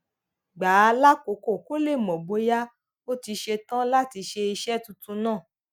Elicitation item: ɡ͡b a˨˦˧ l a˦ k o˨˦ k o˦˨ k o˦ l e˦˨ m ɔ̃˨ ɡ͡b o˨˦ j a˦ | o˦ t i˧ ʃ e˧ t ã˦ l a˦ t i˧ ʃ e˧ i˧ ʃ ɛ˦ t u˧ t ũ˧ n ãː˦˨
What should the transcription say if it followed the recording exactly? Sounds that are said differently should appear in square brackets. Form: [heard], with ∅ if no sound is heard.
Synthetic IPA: ɡ͡b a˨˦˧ l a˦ k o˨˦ k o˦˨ k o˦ l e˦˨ m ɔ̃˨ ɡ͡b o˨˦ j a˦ | o˦ t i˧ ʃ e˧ t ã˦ l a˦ t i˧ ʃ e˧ i˧ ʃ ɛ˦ t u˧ t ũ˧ n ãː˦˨

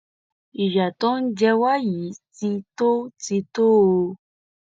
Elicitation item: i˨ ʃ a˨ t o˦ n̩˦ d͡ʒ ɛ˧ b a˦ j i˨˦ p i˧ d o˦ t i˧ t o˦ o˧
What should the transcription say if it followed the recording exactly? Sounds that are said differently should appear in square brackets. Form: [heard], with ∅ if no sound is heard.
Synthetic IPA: i˨ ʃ a˨ t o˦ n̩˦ d͡ʒ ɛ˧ [w] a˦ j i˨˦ [t] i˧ [t] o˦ t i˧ t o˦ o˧

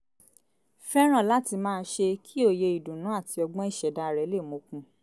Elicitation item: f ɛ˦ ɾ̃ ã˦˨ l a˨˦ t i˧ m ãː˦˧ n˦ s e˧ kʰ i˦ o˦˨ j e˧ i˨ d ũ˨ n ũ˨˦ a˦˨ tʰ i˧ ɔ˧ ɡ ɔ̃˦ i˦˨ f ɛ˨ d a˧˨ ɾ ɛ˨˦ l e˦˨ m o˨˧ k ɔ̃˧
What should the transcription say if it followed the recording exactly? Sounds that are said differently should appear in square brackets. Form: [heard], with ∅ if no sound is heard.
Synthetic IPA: f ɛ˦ ɾ̃ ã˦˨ l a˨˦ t i˧ m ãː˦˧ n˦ [ʃ] e˧ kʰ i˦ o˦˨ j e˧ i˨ d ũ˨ n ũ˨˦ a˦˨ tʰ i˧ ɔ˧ [ɡ͡b] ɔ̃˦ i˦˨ [ʃ] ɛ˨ d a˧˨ ɾ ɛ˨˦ l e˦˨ m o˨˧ k [ũ˧]

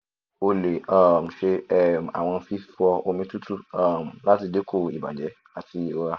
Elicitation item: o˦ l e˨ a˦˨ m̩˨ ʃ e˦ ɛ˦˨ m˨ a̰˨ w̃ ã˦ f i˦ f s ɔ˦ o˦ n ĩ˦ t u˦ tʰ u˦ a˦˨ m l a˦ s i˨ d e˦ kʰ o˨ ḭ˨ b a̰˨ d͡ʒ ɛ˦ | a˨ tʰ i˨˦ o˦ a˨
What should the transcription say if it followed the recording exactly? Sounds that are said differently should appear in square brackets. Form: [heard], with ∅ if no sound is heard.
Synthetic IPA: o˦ l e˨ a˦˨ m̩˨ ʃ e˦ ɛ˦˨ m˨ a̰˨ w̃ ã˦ f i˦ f [f] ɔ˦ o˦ [m] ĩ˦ t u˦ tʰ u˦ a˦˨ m l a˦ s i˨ d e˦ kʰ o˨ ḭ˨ b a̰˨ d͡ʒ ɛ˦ | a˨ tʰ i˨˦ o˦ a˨

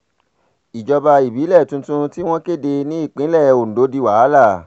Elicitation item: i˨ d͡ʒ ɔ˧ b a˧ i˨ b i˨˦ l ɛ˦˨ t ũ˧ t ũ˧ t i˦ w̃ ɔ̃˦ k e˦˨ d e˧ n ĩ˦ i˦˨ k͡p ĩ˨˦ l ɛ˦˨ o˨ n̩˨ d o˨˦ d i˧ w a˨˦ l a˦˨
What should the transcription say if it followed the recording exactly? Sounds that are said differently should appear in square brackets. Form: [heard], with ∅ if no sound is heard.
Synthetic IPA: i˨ d͡ʒ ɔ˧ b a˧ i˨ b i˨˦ l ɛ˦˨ t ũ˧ t ũ˧ t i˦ w̃ ɔ̃˦ k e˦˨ d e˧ n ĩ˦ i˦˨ k͡p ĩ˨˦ l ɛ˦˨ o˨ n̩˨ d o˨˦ d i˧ w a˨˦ l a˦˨

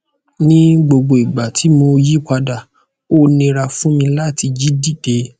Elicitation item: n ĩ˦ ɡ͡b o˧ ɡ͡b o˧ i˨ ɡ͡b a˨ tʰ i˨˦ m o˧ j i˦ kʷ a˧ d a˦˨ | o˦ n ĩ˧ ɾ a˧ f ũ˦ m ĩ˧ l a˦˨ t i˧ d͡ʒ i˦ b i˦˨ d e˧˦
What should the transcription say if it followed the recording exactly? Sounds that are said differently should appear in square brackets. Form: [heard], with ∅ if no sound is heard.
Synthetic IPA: n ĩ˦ ɡ͡b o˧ ɡ͡b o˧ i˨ ɡ͡b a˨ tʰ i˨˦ m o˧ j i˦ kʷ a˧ d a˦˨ | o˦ n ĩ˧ ɾ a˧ f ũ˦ m ĩ˧ l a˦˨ t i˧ d͡ʒ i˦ [d] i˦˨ d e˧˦

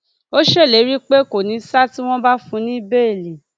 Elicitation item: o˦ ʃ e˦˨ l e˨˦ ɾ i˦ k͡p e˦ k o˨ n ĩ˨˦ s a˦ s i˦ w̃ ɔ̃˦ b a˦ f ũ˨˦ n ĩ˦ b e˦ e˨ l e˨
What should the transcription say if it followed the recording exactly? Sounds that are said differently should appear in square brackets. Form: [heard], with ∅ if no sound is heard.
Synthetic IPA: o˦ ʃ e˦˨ l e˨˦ ɾ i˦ k͡p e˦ k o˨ n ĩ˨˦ s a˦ [t] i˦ w̃ ɔ̃˦ b a˦ f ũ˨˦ n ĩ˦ b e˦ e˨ l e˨

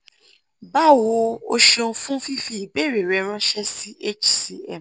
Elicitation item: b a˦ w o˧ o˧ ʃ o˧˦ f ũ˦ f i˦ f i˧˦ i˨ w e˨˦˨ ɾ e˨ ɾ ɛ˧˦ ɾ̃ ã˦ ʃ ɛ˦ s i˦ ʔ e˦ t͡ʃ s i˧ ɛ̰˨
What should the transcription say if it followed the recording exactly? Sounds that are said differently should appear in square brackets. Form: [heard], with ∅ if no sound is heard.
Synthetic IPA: b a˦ w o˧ o˧ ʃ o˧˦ f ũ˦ f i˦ f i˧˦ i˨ [b] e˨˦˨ ɾ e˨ ɾ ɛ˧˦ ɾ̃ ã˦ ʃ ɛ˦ s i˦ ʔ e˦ t͡ʃ s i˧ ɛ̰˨

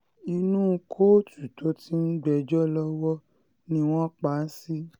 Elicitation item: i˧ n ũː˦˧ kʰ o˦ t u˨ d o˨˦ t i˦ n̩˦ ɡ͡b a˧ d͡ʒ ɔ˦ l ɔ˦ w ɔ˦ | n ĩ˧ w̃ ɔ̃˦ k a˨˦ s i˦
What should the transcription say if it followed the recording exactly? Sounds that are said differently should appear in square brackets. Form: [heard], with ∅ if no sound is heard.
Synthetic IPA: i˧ n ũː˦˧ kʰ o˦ t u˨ [t] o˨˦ t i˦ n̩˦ ɡ͡b [ɛ˧] d͡ʒ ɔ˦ l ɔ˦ w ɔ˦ | n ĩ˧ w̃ ɔ̃˦ [k͡p] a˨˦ s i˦

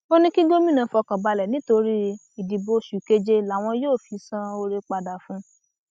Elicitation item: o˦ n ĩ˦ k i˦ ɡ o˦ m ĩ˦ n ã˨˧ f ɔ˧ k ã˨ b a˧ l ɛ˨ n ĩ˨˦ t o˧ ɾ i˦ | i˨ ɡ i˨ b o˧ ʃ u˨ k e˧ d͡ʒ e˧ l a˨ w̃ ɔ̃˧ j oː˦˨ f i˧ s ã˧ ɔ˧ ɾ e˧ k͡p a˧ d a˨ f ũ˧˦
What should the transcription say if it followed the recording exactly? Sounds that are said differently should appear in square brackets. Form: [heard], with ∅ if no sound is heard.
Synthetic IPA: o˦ n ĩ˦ k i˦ ɡ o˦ m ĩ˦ n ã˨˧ f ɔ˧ k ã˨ b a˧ l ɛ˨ n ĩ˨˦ t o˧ ɾ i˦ | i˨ [d] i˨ b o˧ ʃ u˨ k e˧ d͡ʒ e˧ l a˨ w̃ ɔ̃˧ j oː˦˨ f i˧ s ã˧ [o˧] ɾ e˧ k͡p a˧ d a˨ f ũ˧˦

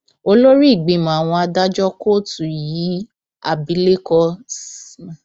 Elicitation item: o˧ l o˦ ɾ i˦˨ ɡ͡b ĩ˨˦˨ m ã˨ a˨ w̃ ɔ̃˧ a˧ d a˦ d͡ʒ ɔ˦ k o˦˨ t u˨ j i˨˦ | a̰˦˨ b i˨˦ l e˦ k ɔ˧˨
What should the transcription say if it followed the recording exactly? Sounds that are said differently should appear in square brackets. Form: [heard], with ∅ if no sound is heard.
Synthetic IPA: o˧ l o˦ ɾ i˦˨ ɡ͡b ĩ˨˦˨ m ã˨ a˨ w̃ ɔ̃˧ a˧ d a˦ d͡ʒ ɔ˦ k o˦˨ t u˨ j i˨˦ | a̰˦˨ b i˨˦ l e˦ k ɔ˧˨

